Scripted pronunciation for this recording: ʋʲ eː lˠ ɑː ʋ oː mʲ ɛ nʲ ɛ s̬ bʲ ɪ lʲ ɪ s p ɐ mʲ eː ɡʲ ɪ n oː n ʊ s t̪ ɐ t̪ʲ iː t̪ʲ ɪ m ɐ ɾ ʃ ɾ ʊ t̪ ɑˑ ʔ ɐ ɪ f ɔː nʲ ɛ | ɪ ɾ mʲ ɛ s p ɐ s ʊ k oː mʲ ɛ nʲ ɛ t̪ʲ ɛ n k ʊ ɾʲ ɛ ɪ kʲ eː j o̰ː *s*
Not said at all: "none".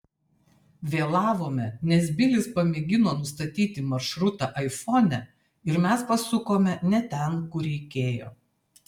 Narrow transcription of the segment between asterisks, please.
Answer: none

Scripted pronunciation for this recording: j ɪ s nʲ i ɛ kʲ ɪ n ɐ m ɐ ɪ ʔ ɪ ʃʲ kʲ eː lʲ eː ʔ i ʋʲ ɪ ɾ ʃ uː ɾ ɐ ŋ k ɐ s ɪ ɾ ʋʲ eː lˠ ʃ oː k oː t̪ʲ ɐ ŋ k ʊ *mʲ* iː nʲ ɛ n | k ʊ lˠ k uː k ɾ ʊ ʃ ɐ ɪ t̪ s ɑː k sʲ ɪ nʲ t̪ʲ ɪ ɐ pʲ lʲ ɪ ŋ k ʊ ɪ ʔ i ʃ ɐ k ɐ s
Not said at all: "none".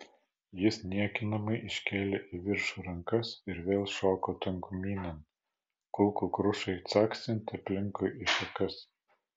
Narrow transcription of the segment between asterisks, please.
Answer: mʲ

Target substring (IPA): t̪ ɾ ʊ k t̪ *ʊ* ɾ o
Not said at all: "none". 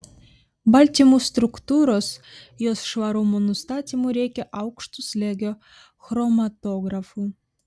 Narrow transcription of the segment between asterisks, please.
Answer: u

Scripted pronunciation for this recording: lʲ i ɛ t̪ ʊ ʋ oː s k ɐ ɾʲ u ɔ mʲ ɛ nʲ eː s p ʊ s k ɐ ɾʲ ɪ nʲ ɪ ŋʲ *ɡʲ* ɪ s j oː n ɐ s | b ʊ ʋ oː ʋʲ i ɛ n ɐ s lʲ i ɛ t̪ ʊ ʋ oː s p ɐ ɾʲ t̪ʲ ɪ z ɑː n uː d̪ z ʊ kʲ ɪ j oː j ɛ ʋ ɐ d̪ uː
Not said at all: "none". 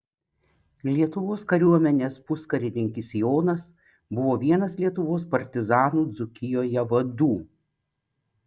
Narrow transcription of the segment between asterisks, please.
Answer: kʲ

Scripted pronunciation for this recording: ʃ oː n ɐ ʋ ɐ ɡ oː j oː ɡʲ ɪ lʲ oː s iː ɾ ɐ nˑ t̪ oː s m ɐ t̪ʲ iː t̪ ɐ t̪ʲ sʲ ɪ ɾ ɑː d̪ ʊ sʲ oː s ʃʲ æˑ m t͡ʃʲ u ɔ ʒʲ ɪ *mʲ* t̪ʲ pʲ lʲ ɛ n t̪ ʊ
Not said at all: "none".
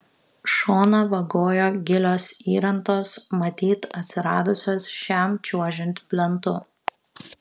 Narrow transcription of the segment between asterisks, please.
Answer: nʲ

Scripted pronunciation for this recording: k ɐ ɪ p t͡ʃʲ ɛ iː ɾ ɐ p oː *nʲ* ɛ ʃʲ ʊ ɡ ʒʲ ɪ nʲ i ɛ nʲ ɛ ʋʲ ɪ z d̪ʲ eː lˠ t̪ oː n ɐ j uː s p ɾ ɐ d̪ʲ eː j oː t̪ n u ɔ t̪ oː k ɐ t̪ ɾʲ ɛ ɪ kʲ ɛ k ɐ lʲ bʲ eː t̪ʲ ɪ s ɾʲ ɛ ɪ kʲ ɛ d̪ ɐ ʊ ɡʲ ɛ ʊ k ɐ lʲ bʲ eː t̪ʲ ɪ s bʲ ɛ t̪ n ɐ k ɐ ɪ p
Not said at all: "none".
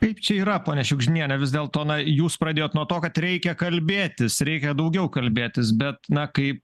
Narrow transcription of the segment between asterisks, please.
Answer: nʲ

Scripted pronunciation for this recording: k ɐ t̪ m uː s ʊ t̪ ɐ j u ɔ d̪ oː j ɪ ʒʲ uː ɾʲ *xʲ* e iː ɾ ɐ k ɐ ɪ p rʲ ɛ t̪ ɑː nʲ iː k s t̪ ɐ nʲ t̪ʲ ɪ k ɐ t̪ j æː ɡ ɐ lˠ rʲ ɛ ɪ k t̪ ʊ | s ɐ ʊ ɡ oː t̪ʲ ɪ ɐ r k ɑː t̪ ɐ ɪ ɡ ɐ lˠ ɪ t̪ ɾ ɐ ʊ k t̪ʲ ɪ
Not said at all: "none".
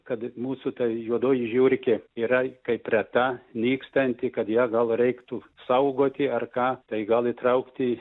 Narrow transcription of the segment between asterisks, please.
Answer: kʲ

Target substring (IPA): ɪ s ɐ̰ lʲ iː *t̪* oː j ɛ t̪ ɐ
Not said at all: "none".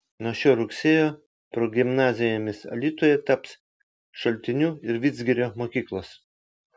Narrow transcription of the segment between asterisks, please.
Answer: t̪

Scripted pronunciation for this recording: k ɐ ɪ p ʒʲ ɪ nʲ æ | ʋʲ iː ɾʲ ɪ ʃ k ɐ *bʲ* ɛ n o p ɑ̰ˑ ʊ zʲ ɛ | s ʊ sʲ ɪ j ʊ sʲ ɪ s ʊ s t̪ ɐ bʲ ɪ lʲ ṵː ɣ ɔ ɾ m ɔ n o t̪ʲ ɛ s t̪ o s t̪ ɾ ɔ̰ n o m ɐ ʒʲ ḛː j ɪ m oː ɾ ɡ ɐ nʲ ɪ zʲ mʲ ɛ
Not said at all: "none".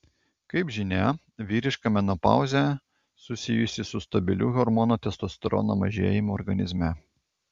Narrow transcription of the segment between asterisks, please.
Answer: mʲ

